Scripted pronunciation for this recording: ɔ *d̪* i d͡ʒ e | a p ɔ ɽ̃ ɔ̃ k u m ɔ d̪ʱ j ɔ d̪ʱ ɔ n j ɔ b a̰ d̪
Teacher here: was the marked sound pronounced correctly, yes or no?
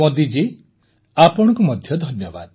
yes